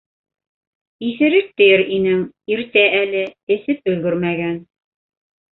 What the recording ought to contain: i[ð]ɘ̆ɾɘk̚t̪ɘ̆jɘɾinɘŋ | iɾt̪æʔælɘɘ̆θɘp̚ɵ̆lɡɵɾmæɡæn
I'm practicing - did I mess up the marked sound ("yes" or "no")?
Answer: yes